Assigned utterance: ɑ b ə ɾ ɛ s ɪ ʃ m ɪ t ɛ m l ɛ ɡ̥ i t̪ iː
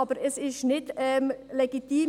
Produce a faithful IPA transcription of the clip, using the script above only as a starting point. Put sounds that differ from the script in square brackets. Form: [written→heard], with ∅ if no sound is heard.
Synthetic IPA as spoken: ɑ b ə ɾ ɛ s ɪ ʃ [m→n] ɪ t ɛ m l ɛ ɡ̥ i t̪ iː